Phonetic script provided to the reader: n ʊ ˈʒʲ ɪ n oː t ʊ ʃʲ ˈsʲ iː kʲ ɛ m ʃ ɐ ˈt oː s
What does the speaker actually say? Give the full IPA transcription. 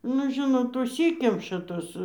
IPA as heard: n ʊ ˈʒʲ ɪ n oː t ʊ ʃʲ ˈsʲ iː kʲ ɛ m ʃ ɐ ˈt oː s